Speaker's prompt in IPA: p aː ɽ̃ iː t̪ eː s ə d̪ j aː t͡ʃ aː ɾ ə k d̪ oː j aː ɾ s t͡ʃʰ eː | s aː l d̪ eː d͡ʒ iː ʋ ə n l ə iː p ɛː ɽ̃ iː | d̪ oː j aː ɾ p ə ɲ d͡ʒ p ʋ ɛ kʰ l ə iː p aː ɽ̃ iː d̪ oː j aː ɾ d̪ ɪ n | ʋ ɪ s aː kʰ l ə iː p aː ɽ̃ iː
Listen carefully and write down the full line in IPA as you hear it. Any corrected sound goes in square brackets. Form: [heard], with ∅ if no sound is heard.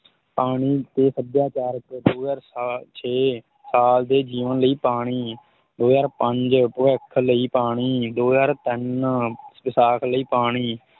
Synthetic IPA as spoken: p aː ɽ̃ iː t̪ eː s ə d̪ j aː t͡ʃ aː ɾ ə k d̪ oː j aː ɾ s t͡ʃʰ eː | s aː l d̪ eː d͡ʒ iː ʋ ə n l ə iː p [aː] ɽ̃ iː | d̪ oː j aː ɾ p ə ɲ d͡ʒ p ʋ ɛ kʰ l ə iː p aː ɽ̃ iː d̪ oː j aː ɾ [t̪] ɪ n | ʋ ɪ s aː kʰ l ə iː p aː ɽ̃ iː

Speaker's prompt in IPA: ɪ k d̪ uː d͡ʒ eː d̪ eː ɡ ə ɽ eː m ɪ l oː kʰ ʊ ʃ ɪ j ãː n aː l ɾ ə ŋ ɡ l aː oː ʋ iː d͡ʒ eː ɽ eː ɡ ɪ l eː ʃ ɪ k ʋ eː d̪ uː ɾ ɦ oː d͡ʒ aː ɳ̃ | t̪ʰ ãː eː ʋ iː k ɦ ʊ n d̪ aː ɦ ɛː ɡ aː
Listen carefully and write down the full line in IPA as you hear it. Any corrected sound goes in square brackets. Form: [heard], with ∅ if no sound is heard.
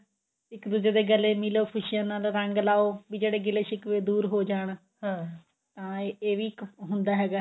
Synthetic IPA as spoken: ɪ k d̪ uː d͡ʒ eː d̪ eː ɡ ə [l] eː m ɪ l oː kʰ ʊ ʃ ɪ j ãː n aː l ɾ ə ŋ ɡ l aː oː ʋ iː d͡ʒ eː ɽ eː ɡ ɪ l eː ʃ ɪ k ʋ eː d̪ uː ɾ ɦ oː d͡ʒ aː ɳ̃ | [t̪] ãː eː ʋ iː k ɦ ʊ n d̪ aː ɦ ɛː ɡ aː

